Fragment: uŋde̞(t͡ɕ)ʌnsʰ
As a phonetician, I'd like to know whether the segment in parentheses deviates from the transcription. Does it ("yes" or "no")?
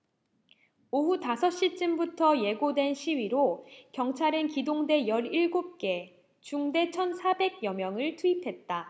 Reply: yes